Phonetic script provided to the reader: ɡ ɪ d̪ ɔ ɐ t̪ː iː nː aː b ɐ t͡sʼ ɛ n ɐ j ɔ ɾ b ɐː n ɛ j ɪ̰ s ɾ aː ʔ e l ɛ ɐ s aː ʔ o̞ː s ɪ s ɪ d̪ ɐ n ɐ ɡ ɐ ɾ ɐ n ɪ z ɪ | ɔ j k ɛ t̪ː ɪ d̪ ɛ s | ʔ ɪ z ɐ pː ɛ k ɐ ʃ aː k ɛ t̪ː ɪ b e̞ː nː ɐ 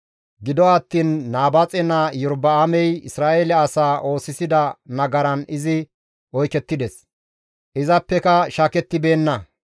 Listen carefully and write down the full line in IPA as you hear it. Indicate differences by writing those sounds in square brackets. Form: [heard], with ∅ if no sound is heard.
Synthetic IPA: ɡ ɪ d̪ ɔ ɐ t̪ː iː nː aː b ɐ t͡sʼ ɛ n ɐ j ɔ ɾ b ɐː [m] ɛ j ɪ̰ s ɾ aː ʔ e l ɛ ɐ s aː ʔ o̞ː s ɪ s ɪ d̪ ɐ n ɐ ɡ ɐ ɾ ɐ n ɪ z ɪ | ɔ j k ɛ t̪ː ɪ d̪ ɛ s | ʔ ɪ z ɐ pː ɛ k ɐ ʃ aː k ɛ t̪ː ɪ b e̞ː nː ɐ